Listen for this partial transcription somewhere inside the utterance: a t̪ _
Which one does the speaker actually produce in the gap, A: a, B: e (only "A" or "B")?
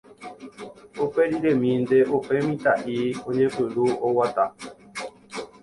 A